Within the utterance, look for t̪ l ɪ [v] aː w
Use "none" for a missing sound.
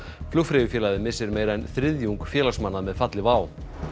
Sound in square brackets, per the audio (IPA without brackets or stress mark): v